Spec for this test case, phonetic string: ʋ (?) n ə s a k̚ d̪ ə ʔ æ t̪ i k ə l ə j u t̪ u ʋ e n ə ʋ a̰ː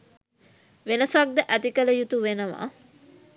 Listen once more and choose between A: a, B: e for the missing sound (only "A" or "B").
B